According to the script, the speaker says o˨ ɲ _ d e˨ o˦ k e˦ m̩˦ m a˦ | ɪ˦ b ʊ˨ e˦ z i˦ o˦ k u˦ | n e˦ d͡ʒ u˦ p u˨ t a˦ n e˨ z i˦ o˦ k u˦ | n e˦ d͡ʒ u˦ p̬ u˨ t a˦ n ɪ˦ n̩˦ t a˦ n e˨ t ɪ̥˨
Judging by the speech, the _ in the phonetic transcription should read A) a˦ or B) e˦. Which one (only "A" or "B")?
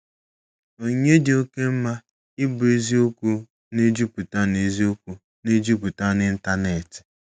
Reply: B